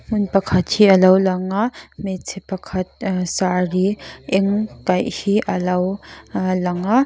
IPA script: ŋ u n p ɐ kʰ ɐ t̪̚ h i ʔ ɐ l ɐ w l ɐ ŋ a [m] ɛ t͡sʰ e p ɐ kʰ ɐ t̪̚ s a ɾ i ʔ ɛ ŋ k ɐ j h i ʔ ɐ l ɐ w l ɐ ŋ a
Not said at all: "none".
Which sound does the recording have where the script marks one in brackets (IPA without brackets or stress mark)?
m